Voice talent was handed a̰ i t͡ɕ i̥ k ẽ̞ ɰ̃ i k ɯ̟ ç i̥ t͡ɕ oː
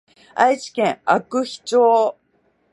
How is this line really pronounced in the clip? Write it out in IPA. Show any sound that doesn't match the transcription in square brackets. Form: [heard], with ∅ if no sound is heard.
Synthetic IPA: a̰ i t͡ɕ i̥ k ẽ̞ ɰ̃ [a] k ɯ̟ ç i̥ t͡ɕ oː